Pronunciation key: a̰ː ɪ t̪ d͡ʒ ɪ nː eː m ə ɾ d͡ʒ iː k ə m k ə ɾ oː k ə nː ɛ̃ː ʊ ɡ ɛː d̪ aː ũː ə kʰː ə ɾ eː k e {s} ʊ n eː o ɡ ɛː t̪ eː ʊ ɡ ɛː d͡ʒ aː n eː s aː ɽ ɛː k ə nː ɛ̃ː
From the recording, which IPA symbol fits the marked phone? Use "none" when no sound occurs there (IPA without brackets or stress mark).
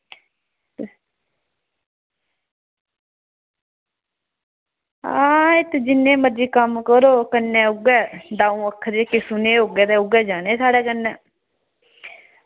s